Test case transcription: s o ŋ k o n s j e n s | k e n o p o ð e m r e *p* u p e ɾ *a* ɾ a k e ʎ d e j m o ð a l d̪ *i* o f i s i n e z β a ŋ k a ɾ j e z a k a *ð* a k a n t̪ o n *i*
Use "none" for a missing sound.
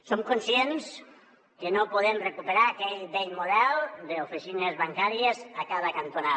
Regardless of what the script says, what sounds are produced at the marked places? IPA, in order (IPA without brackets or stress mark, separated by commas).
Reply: k, a, e, ð, a